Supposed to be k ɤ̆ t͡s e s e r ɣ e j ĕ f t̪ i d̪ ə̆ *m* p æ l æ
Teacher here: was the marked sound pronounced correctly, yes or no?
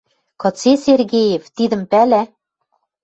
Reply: yes